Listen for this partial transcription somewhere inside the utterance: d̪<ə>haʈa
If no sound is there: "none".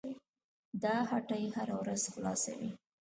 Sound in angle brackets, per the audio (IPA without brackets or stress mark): ɑ